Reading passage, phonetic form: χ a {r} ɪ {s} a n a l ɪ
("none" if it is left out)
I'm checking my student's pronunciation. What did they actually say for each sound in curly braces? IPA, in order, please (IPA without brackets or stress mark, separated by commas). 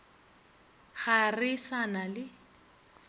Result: r, s